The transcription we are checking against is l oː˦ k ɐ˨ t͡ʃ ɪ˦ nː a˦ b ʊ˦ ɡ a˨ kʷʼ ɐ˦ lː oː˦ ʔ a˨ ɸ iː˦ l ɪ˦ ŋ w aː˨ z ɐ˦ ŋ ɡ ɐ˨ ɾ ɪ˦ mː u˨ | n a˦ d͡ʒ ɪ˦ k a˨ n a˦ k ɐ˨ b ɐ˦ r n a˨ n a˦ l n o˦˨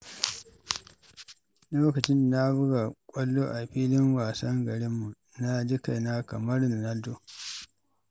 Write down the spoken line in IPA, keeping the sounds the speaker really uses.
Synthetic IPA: l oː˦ k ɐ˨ t͡ʃ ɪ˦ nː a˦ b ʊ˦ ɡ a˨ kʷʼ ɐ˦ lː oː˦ ʔ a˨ ɸ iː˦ l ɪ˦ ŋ w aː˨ s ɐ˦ ŋ ɡ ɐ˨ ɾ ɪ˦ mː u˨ | n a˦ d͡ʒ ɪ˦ k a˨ n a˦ k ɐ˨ m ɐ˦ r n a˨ n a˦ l d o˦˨